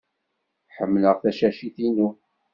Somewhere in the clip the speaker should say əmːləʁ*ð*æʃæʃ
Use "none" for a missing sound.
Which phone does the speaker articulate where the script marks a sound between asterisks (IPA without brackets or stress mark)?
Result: θ